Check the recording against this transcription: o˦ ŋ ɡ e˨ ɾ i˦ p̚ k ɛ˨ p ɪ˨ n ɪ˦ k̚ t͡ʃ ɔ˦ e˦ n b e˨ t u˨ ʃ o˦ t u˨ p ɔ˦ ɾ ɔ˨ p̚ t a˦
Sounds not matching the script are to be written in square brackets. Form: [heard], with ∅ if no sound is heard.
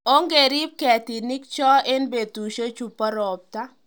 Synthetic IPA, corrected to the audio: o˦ ŋ ɡ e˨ ɾ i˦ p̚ k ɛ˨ [t] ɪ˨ n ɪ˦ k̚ t͡ʃ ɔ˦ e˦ n b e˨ t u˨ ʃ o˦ [t͡ʃ] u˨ p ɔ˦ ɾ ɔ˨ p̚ t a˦